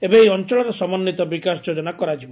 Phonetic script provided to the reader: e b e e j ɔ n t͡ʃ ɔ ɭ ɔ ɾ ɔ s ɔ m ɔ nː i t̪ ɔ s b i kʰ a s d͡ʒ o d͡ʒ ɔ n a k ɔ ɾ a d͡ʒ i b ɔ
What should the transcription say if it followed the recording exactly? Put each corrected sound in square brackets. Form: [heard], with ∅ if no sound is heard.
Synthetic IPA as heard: e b e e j ɔ n t͡ʃ ɔ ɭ ɔ ɾ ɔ s ɔ m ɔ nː i t̪ ɔ [∅] b i [k] a s d͡ʒ o d͡ʒ ɔ n a k ɔ ɾ a d͡ʒ i b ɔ